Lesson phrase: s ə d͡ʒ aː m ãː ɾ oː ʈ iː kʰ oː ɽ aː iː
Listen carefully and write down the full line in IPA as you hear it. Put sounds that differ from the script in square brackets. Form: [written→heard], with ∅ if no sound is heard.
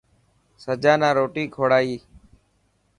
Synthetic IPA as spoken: s ə d͡ʒ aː [m→n] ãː ɾ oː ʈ iː kʰ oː ɽ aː iː